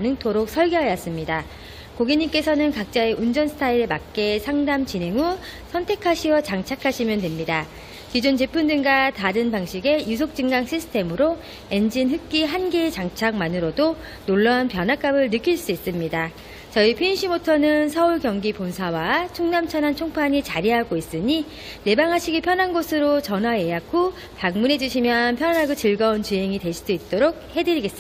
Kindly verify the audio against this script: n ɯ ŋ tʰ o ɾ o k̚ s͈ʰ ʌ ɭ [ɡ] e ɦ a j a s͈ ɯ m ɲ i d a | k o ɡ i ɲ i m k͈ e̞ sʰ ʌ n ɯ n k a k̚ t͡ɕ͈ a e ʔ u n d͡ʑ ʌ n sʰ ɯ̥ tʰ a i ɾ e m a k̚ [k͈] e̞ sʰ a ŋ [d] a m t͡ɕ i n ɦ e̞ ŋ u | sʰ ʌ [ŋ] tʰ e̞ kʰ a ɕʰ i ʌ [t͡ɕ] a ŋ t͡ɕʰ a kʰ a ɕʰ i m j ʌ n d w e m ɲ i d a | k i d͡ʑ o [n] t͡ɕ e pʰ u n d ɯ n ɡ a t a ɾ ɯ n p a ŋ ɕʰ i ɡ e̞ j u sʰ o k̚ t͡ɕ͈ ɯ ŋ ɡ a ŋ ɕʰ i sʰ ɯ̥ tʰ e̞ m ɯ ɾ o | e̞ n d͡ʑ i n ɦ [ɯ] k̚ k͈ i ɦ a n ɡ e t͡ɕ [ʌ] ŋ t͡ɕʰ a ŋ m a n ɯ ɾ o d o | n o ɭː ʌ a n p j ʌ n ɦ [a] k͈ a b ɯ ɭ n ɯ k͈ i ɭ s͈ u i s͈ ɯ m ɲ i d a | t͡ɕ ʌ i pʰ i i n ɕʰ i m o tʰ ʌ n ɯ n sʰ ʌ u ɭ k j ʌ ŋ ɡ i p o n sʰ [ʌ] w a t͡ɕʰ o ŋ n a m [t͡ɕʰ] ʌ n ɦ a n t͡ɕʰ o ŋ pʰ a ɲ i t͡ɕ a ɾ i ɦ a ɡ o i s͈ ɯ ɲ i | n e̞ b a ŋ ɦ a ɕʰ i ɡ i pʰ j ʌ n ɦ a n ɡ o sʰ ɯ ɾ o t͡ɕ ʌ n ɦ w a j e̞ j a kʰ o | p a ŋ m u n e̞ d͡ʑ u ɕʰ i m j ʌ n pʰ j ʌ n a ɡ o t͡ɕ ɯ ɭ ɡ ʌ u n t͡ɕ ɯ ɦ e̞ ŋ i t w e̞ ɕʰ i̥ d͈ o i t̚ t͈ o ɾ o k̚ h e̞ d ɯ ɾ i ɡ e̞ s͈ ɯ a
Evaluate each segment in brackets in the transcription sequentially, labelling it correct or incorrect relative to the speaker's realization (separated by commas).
correct, correct, correct, incorrect, correct, correct, correct, incorrect, correct, incorrect, correct